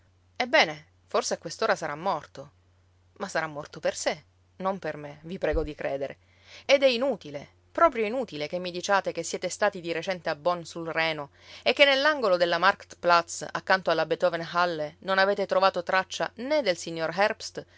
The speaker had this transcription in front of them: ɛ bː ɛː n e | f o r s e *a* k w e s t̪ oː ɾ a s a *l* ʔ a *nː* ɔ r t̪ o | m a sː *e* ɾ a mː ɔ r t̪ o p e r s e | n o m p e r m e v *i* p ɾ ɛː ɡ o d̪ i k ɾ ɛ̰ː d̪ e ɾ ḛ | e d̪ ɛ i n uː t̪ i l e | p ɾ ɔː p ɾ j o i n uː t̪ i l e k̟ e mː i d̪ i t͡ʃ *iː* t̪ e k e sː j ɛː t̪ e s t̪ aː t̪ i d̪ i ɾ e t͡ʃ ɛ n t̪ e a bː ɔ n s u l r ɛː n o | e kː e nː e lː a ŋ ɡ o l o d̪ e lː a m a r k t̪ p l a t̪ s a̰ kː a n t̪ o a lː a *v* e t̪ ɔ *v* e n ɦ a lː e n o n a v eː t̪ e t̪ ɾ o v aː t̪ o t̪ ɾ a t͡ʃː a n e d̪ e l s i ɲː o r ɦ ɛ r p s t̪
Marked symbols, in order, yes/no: yes, no, no, no, yes, no, no, yes

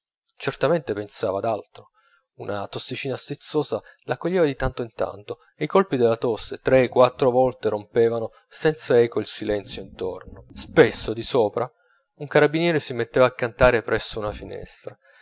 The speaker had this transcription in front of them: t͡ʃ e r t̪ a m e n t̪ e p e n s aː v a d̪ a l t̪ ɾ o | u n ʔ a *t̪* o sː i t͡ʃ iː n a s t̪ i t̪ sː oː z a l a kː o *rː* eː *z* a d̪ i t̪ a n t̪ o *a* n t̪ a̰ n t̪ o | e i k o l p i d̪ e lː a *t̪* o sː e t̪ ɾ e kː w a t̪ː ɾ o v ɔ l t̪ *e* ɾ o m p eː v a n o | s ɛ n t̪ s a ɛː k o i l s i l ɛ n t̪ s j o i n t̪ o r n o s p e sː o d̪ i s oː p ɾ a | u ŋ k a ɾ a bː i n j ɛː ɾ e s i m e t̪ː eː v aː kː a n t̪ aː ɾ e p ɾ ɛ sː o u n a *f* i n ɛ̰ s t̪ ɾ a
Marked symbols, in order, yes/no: yes, no, no, no, yes, yes, yes

